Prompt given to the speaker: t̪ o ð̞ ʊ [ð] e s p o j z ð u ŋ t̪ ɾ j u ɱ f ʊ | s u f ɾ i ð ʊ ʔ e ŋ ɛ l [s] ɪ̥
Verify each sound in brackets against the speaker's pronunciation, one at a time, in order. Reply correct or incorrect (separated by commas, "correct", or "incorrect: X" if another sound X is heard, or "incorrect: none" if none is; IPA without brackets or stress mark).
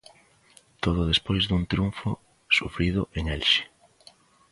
correct, incorrect: ʃ